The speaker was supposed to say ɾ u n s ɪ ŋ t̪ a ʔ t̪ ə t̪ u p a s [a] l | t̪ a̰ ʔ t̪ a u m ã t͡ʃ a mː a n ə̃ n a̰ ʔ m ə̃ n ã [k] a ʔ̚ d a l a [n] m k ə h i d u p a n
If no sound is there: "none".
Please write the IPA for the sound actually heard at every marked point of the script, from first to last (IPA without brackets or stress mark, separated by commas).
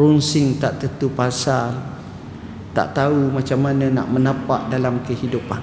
a, p, none